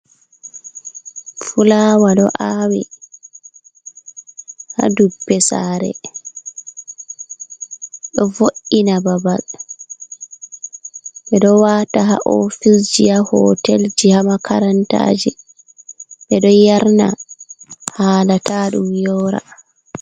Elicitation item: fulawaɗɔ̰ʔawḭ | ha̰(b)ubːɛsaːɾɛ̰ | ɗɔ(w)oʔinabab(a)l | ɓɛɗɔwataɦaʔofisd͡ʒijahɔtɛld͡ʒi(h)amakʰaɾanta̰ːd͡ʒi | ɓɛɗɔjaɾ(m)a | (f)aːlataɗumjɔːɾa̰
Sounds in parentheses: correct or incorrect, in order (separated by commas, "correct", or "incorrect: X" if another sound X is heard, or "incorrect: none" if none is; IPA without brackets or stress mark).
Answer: incorrect: d, incorrect: v, correct, correct, incorrect: n, incorrect: h